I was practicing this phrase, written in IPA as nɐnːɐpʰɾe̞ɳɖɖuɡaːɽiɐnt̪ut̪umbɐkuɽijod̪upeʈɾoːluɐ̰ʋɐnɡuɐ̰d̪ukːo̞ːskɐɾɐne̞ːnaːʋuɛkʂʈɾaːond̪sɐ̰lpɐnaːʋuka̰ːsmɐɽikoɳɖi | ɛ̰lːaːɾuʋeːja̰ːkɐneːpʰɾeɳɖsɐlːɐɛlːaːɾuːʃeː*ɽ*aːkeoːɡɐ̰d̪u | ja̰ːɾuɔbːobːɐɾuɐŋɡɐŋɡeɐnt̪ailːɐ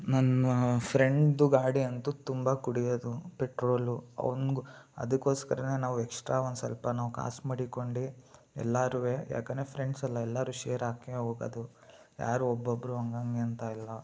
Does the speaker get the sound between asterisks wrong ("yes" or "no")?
yes